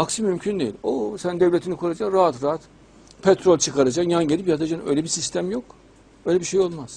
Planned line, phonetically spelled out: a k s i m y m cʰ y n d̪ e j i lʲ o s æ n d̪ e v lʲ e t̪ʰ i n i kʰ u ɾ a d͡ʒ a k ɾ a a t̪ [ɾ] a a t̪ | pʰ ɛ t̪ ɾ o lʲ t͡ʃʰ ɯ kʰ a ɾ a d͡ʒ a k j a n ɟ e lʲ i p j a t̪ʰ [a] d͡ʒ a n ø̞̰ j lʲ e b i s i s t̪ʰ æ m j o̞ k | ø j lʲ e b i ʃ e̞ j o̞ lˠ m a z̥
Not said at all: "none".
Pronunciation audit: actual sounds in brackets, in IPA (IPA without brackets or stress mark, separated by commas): ɾ, a